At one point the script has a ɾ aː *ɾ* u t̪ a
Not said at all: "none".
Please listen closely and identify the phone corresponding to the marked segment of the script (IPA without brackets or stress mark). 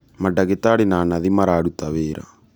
ɽ